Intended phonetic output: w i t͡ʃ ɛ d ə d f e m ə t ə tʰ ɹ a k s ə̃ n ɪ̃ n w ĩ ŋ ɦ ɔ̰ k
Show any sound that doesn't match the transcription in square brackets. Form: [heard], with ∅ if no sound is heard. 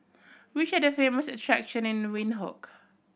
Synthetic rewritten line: w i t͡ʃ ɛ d ə [∅] f e m ə [s] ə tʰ ɹ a k [ʃ] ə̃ n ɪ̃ n w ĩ [n] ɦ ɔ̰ k